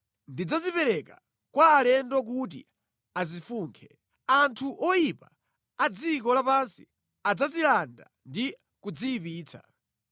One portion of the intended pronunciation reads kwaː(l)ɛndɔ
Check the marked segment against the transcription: correct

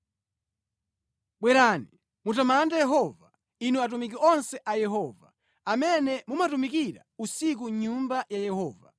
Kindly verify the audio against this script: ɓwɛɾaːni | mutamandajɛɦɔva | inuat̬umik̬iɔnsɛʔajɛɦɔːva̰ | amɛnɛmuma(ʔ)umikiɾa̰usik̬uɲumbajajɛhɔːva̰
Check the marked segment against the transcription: incorrect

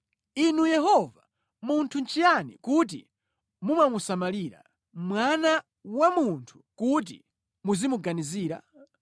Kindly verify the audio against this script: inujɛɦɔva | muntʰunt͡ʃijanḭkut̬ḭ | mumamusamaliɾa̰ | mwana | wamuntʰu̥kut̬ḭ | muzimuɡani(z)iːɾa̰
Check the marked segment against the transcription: correct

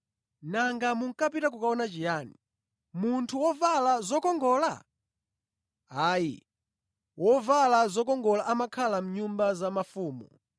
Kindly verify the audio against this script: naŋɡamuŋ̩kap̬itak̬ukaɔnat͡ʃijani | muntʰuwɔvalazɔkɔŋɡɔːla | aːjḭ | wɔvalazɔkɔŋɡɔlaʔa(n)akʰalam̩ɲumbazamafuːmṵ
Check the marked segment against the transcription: incorrect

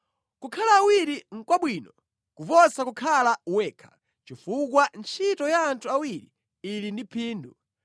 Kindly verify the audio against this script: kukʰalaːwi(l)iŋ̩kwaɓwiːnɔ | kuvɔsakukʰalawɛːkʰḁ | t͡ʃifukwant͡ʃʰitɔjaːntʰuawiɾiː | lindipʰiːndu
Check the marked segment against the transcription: incorrect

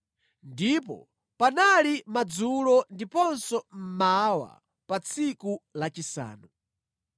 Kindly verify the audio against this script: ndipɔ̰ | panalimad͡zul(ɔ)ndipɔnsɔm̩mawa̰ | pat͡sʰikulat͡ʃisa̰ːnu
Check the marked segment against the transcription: correct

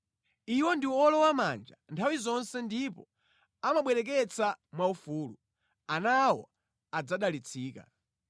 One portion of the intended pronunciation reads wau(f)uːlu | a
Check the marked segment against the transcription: correct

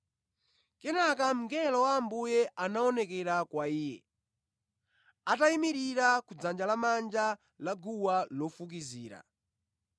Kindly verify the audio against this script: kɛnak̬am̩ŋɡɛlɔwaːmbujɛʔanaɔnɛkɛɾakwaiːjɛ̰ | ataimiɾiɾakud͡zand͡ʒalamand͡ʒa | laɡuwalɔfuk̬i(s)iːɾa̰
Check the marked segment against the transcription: incorrect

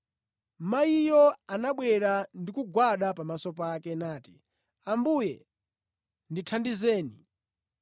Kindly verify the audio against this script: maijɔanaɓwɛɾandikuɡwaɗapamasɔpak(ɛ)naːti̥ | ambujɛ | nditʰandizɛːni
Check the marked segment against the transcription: correct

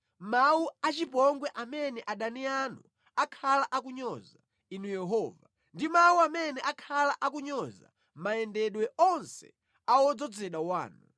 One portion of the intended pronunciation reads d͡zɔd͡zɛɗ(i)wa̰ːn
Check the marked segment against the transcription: incorrect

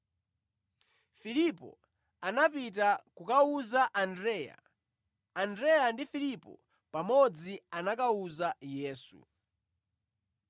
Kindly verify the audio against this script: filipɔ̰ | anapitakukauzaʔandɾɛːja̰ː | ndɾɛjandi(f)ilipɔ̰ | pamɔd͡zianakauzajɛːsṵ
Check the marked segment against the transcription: correct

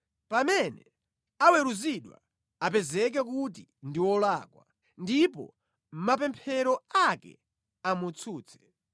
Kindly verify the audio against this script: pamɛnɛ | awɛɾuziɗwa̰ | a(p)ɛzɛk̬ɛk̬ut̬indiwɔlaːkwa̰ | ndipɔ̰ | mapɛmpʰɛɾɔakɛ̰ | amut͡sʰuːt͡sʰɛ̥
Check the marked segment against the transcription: correct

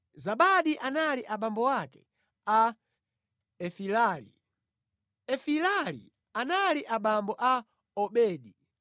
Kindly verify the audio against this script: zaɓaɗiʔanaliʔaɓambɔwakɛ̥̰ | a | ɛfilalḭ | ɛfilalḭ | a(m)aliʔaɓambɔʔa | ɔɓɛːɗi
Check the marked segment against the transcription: incorrect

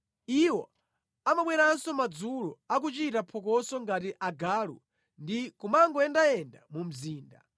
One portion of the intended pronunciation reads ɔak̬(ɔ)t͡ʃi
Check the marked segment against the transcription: incorrect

